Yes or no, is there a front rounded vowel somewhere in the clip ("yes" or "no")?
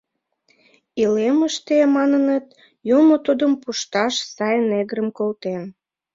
no